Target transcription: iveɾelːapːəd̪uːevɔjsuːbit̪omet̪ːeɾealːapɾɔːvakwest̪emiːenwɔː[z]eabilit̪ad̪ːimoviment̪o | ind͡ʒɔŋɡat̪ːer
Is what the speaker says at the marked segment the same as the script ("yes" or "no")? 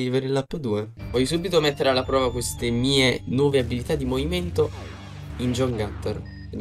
no